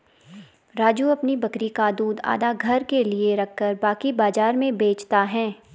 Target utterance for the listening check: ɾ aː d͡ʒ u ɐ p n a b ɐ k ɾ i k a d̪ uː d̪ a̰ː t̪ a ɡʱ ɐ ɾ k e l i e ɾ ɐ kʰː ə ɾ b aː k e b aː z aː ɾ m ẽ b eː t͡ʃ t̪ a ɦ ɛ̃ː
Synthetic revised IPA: ɾ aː d͡ʒ u ɐ p n i b ɐ k ɾ i k a d̪ uː d̪ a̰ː d̪ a ɡʱ ɐ ɾ k e l i e ɾ ɐ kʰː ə ɾ b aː k i b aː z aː ɾ m ẽ b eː t͡ʃ t̪ a ɦ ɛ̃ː